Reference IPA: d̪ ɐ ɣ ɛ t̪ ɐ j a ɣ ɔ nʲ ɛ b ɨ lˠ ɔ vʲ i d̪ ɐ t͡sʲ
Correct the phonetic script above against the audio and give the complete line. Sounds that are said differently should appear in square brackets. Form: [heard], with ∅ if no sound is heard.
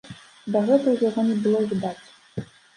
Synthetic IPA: d̪ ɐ ɣ ɛ t̪ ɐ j a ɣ ɔ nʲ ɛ b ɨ lˠ ɔ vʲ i d̪ [a] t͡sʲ